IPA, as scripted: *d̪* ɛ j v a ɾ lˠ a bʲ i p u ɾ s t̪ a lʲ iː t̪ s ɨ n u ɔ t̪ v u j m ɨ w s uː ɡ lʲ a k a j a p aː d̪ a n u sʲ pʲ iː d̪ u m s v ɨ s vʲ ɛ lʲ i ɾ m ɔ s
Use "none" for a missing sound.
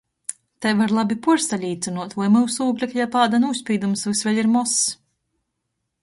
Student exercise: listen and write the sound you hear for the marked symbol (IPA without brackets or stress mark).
t̪